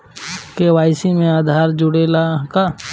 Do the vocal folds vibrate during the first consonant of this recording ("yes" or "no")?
no